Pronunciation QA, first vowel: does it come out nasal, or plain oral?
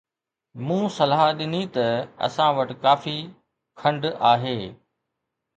nasal